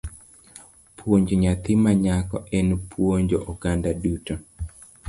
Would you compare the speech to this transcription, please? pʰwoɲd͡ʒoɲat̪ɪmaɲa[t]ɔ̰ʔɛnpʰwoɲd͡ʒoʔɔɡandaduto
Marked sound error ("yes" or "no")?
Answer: yes